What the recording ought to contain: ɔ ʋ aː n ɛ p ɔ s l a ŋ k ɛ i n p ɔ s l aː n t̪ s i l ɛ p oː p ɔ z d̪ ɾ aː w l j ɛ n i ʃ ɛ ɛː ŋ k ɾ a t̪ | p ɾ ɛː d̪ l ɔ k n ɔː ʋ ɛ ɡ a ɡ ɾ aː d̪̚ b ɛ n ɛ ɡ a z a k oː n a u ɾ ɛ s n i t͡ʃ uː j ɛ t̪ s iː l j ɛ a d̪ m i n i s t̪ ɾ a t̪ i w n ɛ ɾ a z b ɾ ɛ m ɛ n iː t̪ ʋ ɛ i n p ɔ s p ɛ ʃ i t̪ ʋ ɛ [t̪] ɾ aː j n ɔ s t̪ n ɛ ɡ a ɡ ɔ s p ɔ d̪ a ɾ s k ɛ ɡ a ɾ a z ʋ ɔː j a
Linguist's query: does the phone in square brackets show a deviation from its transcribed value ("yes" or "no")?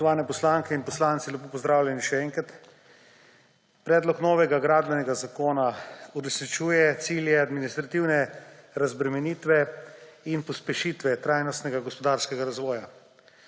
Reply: no